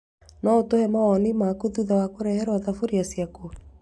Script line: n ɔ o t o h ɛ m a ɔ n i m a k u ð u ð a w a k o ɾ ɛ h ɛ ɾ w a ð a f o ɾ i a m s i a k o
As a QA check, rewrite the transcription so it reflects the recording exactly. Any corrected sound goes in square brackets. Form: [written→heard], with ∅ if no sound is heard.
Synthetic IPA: n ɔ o t o h ɛ m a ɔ n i m a k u ð u ð a w a k o ɾ ɛ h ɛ ɾ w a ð a f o ɾ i a [m→∅] s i a k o